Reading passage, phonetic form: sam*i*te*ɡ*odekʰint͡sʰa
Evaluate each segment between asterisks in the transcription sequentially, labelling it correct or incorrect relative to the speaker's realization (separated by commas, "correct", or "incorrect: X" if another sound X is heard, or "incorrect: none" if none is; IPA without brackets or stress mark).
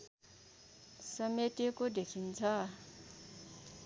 incorrect: e, incorrect: k